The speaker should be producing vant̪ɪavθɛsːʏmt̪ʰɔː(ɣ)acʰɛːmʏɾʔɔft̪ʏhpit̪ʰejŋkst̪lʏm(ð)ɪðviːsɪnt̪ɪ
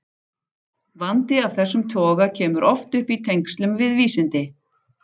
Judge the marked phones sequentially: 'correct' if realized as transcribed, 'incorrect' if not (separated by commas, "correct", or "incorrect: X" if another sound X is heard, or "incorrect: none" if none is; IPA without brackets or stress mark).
correct, incorrect: v